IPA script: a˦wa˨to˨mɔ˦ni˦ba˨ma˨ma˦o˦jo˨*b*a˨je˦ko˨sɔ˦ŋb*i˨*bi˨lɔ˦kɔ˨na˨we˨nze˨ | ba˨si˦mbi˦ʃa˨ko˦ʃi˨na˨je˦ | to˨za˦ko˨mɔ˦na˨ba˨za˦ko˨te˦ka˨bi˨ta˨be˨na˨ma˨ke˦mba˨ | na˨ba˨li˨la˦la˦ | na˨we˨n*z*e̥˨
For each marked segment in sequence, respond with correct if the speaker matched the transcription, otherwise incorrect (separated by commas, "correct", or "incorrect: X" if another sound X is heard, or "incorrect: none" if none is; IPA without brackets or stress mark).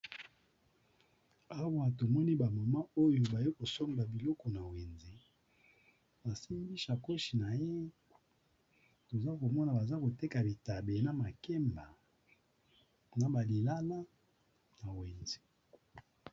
correct, incorrect: a˨, correct